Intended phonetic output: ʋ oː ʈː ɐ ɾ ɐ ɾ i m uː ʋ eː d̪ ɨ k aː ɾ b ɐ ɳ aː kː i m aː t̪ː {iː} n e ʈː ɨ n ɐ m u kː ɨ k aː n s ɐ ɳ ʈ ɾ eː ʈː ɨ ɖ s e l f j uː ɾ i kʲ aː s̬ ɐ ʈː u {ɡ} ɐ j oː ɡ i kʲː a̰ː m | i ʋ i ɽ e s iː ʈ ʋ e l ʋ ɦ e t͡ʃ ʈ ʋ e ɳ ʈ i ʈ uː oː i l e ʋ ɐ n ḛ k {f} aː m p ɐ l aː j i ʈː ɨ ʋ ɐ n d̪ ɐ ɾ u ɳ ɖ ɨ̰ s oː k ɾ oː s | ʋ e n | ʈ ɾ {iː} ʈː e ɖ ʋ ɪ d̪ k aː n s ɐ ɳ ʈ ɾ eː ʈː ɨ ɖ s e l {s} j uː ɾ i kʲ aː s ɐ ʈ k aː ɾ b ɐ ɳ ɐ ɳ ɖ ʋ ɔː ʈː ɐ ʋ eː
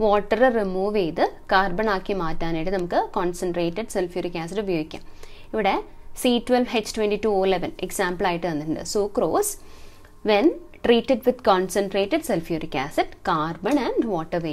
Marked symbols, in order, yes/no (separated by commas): no, no, no, yes, no